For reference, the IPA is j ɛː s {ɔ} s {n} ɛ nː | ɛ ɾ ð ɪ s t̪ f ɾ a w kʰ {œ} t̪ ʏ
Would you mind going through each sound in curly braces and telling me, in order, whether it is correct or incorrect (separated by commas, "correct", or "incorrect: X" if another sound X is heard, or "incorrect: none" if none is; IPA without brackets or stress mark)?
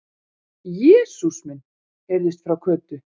incorrect: u, incorrect: m, incorrect: œː